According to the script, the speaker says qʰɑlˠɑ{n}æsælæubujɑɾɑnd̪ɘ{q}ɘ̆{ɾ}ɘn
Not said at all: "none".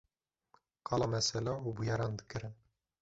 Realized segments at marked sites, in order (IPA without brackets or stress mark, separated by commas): m, k, ɾ